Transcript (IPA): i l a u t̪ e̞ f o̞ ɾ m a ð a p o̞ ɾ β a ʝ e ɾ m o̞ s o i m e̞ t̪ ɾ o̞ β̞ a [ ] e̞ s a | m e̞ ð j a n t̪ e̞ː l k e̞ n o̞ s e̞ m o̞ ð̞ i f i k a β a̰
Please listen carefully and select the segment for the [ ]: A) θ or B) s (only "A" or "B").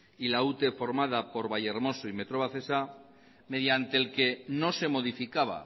A